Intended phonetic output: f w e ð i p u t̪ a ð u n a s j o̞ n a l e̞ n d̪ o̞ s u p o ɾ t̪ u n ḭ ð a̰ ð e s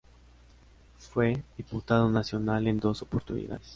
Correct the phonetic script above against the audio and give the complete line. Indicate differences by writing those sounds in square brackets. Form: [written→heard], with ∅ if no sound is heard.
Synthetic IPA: f w e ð i p u t̪ a ð [u→o] n a s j o̞ n a l e̞ n d̪ o̞ s [u→o] p o ɾ t̪ u n ḭ ð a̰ ð e s